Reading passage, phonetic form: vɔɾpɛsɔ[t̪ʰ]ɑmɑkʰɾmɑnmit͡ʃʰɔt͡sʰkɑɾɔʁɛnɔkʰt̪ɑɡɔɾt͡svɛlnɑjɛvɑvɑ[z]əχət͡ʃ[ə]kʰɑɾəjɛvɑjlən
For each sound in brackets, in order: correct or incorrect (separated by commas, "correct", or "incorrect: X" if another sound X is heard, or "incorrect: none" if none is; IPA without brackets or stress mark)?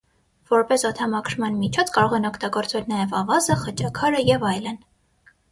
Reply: correct, correct, incorrect: ɑ